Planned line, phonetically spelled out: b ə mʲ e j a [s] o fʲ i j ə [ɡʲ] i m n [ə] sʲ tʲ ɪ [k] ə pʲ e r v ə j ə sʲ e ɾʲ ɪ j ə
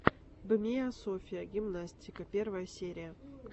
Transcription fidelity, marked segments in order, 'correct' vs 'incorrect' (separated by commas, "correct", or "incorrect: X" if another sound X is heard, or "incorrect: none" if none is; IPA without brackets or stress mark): correct, correct, incorrect: a, correct